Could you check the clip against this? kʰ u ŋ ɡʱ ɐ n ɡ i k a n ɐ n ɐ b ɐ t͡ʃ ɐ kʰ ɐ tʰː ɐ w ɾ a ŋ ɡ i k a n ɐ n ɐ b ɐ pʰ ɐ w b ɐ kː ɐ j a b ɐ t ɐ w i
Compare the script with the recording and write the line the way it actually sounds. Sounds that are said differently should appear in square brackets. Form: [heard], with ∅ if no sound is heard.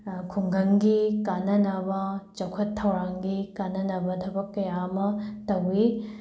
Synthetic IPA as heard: kʰ u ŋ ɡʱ ɐ [ŋ] ɡ i k a n ɐ n ɐ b ɐ t͡ʃ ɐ kʰ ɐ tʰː ɐ w ɾ a ŋ ɡ i k a n ɐ n ɐ b ɐ [tʰ] ɐ [∅] b ɐ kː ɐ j a [m] ɐ t ɐ w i